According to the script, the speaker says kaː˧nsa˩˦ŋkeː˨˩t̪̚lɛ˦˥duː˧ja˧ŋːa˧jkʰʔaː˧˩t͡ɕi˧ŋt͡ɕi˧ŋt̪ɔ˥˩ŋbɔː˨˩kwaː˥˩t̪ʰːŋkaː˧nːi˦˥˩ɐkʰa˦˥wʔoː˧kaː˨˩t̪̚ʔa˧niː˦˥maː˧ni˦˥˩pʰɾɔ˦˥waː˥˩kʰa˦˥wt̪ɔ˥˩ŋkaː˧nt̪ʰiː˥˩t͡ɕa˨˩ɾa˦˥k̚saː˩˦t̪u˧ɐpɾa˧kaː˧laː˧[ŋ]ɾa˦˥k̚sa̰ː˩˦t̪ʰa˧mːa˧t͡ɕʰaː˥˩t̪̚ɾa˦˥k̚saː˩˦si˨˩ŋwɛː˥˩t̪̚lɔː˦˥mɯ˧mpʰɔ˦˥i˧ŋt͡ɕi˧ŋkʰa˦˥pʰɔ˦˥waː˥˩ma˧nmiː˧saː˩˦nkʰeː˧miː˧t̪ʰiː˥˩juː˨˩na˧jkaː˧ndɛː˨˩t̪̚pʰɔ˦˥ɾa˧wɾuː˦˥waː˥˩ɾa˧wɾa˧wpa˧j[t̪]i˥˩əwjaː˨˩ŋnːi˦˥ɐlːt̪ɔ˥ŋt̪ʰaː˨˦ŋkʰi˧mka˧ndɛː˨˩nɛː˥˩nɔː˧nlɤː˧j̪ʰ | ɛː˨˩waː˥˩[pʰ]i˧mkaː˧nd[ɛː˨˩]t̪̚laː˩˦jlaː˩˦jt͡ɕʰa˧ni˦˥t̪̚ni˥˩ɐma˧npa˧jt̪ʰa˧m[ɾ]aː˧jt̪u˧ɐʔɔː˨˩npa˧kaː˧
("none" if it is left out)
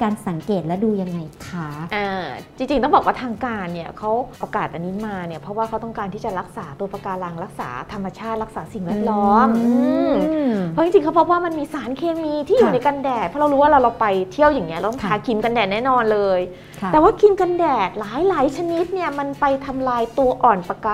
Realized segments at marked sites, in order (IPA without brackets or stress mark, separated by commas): ŋ, t̪ʰ, kʰ, ɛː˨˩, l